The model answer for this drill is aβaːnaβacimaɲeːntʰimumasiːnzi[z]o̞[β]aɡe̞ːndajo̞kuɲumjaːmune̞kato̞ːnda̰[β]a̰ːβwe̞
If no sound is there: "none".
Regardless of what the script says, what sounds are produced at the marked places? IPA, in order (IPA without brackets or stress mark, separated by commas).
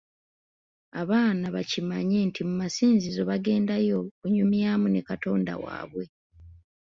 z, β, w